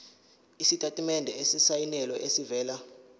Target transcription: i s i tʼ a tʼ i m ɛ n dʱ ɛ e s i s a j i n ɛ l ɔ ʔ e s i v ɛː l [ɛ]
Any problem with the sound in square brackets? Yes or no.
yes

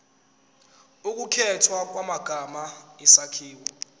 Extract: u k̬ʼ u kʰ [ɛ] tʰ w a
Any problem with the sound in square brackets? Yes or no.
no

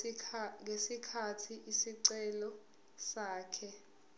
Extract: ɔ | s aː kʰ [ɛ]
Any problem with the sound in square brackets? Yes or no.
no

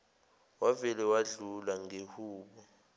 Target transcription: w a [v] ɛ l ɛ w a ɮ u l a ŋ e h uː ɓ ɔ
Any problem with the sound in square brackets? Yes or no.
no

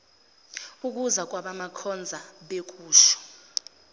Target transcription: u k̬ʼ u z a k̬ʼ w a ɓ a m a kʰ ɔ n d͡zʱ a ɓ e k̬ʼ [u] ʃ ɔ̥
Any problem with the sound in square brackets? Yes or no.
yes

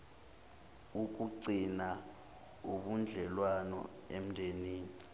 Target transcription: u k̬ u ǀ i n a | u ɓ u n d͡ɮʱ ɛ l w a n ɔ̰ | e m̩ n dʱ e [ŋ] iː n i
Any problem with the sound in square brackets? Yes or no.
yes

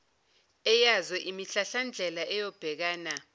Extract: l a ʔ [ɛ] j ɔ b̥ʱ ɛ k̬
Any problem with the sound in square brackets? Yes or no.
no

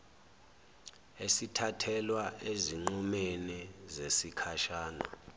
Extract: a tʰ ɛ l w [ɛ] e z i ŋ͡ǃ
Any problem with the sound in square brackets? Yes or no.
yes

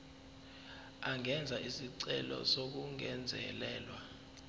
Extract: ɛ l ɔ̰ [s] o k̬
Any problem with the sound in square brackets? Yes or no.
no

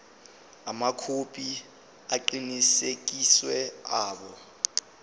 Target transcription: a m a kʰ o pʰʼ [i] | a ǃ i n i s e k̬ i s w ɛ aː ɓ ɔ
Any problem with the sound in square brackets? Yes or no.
no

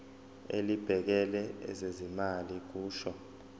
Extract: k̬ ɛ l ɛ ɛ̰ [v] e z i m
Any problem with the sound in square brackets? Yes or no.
yes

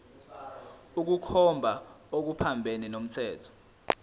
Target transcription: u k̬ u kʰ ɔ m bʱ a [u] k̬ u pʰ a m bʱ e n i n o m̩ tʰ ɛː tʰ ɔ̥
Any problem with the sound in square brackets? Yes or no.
yes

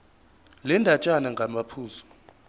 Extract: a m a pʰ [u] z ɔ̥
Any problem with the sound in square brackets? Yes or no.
yes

